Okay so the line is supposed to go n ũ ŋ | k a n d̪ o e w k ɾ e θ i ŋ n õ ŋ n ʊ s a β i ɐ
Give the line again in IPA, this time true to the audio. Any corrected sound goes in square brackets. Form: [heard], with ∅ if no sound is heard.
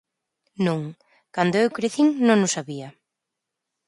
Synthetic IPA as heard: n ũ ŋ | k a n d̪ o e w k ɾ e θ i ŋ n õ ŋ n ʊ s a β i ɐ